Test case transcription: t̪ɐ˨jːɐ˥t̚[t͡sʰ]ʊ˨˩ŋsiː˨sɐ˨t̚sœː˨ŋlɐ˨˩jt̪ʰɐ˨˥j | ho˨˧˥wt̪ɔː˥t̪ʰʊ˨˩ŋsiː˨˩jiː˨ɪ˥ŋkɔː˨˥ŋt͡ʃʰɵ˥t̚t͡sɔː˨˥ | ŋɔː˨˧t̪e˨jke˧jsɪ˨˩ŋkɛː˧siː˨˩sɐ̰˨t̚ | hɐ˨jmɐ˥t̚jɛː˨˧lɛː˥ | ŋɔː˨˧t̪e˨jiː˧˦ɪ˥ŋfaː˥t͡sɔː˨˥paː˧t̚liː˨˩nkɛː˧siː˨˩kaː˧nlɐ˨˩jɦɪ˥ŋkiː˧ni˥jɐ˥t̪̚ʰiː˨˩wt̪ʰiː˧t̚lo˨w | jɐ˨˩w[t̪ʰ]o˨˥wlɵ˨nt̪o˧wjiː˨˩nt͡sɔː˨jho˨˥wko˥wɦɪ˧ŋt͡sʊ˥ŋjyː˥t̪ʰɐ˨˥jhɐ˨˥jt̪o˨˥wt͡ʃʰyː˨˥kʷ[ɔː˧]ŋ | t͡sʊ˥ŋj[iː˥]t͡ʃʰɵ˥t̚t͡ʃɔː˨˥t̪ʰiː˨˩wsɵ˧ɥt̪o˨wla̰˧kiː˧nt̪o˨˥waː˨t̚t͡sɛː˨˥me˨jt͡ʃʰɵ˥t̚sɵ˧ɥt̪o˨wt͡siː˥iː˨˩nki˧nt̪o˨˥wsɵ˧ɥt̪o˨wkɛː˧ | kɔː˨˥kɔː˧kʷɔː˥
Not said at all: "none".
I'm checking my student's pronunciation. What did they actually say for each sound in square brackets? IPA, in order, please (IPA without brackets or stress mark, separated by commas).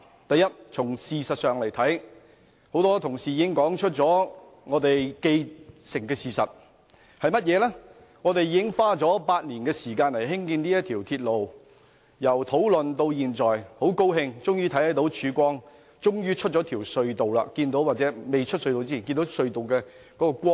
t͡sʰ, t̪ʰ, ɔː˥, yː˥